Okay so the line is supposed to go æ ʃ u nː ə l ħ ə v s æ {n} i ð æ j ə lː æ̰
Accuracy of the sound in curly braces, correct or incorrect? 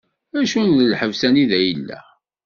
correct